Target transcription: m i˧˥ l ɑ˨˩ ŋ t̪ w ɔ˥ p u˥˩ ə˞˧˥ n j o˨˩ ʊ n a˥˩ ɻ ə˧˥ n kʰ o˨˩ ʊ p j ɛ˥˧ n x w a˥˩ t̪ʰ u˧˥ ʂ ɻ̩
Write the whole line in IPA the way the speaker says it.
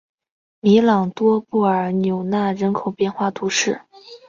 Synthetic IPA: m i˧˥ l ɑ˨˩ ŋ t̪ w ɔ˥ p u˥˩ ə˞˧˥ n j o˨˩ ʊ n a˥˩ ɻ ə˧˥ n kʰ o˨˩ ʊ p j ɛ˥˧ n x w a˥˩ t̪ʰ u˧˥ ʂ ɻ̩